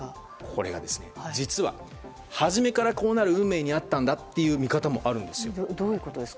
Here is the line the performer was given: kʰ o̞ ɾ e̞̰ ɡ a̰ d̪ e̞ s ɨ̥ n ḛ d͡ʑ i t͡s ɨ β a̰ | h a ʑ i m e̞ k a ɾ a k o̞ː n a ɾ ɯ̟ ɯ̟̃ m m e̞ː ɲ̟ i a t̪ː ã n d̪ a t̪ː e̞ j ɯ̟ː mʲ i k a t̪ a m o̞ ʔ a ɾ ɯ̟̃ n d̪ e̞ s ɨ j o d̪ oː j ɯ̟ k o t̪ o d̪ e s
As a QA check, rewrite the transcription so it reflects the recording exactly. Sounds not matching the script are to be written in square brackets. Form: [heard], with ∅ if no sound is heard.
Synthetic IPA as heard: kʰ o̞ ɾ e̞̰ ɡ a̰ d̪ e̞ s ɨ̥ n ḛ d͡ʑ i t͡s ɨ β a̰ | h a ʑ i m e̞ k a ɾ a k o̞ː n a ɾ ɯ̟ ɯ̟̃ m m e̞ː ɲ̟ i a t̪ː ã n d̪ a t̪ː e̞ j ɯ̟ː mʲ i k a t̪ a m o̞ ʔ a ɾ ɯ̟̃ n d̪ e̞ s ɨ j o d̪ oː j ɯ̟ k o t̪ o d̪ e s